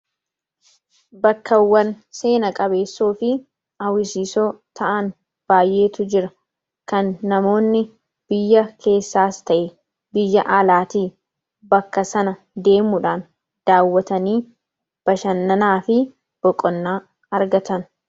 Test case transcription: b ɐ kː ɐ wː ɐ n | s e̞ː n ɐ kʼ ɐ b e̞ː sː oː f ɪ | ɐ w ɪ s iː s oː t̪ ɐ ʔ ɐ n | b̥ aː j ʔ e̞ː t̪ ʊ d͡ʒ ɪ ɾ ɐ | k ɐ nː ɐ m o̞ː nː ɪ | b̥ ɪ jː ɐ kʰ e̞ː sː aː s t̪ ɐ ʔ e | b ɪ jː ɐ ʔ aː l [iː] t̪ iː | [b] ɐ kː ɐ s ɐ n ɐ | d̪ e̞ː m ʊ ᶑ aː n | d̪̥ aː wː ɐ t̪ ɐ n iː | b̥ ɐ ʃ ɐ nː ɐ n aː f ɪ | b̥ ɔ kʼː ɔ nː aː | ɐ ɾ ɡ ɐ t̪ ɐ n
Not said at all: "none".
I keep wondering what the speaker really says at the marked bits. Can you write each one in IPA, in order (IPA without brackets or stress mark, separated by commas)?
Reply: aː, b